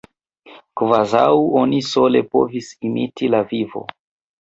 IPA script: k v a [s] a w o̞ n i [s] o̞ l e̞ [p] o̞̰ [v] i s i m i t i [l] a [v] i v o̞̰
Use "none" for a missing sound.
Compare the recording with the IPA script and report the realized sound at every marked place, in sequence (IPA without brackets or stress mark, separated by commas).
z, s, p, v, l, v